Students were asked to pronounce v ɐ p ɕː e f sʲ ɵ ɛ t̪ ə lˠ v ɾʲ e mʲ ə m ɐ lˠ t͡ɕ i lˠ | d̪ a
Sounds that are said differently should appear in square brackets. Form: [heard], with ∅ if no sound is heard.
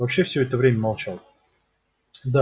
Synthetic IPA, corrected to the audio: v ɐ p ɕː e f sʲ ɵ ɛ t̪ ə [∅] v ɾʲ e mʲ ə m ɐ lˠ t͡ɕ [a] lˠ | d̪ a